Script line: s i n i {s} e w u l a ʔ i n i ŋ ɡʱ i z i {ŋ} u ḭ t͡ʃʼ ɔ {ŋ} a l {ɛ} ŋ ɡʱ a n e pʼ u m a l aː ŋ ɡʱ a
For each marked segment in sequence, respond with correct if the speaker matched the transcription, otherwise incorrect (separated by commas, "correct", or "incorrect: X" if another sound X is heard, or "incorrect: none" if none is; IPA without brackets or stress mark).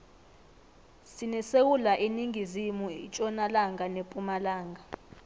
correct, incorrect: m, incorrect: n, incorrect: a